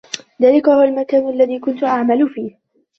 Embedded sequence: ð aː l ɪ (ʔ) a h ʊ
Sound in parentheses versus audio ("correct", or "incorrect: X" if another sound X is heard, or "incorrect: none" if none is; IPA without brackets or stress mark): incorrect: k